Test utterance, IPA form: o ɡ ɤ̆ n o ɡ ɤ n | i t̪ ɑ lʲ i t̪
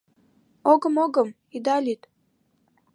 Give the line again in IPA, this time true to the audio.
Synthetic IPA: o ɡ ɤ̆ m o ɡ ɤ m | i d̪ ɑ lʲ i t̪